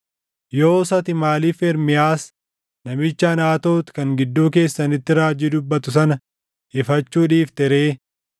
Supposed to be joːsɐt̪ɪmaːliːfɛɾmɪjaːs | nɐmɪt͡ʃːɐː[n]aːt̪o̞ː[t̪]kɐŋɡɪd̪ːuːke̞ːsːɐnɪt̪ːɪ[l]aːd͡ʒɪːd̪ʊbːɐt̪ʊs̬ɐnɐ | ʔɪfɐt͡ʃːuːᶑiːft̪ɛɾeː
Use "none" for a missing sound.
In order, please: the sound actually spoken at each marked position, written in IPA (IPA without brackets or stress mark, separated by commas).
n, t̪, ɾ